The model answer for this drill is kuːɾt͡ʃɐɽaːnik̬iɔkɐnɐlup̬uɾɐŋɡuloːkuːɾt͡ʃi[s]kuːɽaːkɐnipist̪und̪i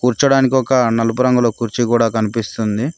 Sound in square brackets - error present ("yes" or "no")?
yes